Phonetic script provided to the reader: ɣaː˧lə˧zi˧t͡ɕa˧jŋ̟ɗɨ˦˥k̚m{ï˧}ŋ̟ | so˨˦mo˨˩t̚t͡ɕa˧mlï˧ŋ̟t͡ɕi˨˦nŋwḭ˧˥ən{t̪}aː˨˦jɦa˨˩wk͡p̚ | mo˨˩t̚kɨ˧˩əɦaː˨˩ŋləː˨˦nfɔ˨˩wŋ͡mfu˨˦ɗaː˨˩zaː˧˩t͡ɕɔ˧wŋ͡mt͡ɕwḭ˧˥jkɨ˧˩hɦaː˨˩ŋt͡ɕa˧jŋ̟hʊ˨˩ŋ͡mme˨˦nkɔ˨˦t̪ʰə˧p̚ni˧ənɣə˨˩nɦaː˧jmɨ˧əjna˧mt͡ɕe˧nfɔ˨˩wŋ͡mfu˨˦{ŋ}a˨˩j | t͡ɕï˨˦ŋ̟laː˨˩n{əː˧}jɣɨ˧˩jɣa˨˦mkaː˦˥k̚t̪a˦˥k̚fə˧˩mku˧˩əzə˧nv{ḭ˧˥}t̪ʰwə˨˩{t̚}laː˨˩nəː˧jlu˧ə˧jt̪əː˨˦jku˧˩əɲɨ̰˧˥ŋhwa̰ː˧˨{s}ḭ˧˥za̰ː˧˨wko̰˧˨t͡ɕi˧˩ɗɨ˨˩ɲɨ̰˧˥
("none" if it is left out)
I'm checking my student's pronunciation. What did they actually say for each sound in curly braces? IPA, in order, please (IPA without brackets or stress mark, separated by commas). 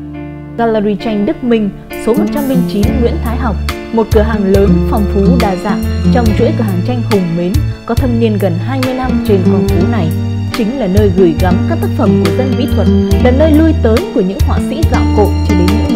ï˧, t̪ʰ, n, əː˧, ḭ˧˥, t̚, s